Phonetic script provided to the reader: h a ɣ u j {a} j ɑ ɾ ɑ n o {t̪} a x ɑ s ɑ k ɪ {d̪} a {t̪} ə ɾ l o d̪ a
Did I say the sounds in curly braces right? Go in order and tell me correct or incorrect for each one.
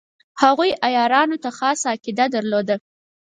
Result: correct, correct, correct, incorrect

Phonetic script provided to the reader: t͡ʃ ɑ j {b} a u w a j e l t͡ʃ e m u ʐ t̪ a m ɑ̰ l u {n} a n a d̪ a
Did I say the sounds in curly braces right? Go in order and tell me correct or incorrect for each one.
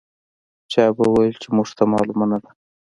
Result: correct, incorrect

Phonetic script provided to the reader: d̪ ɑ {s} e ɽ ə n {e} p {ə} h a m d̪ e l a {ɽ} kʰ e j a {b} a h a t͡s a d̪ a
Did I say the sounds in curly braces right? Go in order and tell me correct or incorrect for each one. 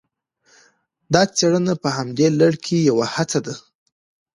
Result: incorrect, incorrect, correct, correct, incorrect

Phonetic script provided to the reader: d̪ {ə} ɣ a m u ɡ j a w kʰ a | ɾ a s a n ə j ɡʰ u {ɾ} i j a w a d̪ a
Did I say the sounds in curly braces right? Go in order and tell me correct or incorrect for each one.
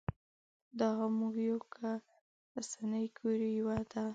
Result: incorrect, correct

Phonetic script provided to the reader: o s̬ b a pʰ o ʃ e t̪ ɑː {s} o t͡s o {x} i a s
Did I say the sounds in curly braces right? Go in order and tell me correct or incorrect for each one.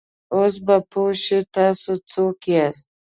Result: correct, incorrect

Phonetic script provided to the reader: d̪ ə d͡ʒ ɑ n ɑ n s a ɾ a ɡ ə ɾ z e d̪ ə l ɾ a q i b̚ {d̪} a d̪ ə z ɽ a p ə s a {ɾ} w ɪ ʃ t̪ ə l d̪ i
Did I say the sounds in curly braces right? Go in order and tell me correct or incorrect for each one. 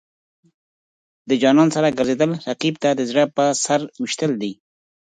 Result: incorrect, correct

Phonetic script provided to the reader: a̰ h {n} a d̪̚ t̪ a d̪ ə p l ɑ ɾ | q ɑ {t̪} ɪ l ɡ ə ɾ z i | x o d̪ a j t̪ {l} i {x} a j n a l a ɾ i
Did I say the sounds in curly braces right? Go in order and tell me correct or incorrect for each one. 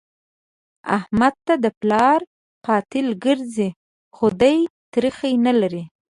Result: incorrect, correct, incorrect, correct

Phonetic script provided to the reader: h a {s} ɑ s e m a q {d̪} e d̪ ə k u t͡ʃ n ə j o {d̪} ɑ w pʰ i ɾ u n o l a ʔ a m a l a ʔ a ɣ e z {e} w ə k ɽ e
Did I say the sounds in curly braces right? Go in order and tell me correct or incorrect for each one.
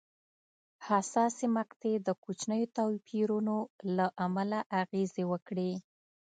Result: correct, incorrect, incorrect, correct

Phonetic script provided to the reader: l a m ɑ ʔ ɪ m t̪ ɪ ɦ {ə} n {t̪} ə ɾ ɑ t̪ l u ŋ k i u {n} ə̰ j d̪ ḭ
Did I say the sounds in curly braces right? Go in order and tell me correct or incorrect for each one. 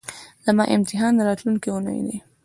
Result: incorrect, incorrect, correct

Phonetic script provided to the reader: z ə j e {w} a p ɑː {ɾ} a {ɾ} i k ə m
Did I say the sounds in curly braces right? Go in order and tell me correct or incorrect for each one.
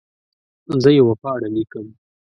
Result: correct, incorrect, incorrect

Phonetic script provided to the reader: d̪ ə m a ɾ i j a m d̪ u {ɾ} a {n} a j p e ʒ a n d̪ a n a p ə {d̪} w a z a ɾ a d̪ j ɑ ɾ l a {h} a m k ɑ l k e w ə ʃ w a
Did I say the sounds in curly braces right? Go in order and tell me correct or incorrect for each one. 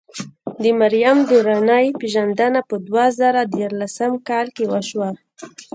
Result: correct, correct, correct, incorrect

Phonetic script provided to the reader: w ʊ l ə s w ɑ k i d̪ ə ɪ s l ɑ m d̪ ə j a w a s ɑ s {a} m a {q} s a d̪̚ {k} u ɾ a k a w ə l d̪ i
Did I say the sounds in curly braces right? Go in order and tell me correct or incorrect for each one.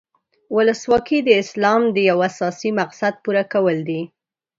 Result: incorrect, correct, incorrect

